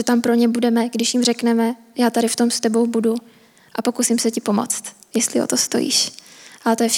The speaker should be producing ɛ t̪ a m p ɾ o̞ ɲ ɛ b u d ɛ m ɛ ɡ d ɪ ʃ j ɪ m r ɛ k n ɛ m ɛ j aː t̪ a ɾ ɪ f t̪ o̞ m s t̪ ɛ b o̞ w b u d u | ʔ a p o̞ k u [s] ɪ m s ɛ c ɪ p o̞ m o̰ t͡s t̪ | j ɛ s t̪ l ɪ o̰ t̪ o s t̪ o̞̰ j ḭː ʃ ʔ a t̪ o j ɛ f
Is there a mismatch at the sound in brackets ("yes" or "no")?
no